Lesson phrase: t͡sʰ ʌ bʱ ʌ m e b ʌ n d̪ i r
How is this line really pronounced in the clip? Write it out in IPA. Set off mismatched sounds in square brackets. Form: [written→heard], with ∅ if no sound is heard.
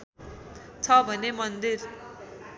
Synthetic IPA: t͡sʰ ʌ bʱ ʌ [m→n] e [b→m] ʌ n d̪ i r